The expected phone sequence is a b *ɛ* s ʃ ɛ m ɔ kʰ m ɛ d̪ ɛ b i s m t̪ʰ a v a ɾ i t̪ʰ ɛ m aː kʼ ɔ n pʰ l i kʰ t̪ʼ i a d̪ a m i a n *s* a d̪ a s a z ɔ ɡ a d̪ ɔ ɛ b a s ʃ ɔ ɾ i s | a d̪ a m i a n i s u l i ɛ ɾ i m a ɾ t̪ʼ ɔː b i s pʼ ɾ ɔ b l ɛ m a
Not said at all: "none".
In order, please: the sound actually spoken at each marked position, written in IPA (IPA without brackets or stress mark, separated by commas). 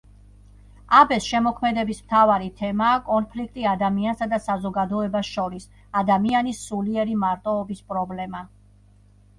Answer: ɛ, s